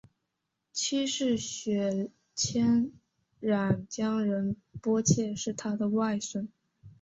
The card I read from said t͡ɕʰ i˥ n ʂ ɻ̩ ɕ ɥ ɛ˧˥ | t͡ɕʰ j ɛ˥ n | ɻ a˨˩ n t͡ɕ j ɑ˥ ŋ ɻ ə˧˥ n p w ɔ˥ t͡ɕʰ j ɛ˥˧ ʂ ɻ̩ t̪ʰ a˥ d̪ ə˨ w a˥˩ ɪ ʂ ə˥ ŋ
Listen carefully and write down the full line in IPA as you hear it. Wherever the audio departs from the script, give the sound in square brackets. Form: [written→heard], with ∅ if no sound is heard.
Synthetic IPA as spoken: t͡ɕʰ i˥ [n→∅] ʂ ɻ̩ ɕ ɥ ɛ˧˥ | t͡ɕʰ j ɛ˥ n | ɻ a˨˩ n t͡ɕ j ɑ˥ ŋ ɻ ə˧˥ n p w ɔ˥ t͡ɕʰ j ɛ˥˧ ʂ ɻ̩ t̪ʰ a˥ d̪ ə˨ w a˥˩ ɪ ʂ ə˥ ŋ